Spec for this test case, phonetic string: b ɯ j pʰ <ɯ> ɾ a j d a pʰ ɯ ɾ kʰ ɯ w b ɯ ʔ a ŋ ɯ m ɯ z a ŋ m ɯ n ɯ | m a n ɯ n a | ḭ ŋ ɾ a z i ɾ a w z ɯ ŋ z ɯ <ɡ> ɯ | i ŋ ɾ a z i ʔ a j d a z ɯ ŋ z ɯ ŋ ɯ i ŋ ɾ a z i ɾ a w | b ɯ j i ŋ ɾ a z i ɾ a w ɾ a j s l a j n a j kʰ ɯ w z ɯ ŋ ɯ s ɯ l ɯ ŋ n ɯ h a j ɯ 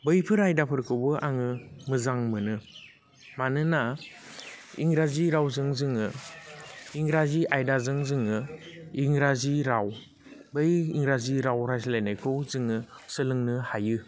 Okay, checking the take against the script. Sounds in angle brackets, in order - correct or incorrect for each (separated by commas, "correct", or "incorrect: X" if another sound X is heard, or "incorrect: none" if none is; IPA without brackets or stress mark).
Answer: correct, incorrect: ŋ